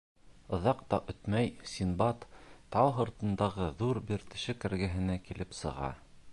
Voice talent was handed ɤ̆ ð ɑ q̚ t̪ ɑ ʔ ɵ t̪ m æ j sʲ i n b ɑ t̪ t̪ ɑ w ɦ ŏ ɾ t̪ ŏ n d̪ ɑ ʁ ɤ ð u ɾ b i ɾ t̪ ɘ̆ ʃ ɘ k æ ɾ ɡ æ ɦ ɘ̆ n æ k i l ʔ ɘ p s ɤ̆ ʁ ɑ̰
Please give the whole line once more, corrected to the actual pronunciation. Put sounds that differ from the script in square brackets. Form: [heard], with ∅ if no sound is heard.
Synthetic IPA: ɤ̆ ð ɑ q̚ t̪ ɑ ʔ ɵ t̪ m æ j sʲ i n b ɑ t̪ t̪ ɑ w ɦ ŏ ɾ t̪ [ɤ̆] n d̪ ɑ ʁ ɤ ð u ɾ b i ɾ t̪ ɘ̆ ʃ ɘ k æ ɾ ɡ æ ɦ ɘ̆ n æ k i l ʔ ɘ p s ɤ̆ ʁ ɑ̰